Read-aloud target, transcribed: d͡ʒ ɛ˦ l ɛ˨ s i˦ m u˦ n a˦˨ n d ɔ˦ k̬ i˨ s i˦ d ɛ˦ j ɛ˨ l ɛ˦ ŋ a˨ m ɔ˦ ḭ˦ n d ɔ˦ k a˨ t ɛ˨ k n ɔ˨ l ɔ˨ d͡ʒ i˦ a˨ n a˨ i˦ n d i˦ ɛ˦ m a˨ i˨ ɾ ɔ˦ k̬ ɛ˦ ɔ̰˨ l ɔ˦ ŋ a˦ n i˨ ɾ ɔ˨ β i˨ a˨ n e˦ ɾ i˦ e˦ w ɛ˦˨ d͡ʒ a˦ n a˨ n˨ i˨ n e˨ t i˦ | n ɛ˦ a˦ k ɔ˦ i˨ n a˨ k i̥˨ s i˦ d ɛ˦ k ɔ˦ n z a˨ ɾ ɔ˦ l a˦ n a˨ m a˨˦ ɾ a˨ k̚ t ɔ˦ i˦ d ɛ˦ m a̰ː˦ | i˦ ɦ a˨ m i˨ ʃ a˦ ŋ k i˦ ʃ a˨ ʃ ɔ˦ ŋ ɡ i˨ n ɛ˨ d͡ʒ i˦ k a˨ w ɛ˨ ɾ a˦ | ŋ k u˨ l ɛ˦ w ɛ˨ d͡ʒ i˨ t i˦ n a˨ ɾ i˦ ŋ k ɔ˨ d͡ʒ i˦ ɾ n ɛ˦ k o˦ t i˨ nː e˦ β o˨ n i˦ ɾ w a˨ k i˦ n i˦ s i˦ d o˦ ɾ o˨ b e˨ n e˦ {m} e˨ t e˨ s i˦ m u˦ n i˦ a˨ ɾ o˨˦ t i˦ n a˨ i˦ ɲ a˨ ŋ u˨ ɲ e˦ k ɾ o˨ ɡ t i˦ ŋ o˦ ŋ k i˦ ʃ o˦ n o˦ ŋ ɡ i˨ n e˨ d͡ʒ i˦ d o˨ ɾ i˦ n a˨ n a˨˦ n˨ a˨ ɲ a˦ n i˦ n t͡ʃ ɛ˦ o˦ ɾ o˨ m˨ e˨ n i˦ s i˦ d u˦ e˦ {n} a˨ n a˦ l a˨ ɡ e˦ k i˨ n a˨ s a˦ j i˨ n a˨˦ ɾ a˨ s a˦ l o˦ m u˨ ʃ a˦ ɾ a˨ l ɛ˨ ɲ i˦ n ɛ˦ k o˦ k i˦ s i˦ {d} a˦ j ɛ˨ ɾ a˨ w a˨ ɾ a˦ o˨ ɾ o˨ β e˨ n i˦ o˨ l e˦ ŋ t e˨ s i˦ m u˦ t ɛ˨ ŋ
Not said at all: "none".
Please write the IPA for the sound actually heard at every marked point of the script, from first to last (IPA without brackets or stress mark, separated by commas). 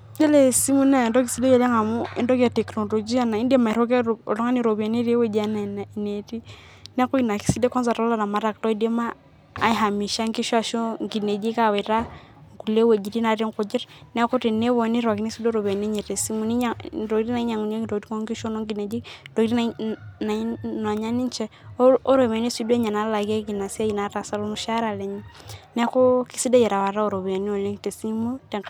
ɲ, ɲ, d